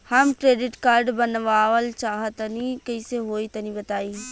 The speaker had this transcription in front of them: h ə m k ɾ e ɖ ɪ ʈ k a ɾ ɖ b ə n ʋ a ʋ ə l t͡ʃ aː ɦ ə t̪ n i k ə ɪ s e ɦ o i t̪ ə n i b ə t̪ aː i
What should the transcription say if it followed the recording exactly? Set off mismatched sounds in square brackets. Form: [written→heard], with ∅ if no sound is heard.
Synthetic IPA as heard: h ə m k ɾ e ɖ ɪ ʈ k a ɾ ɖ b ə n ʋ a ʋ ə l t͡ʃ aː ɦ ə t̪ n i k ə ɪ s e ɦ o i t̪ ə n i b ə t̪ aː i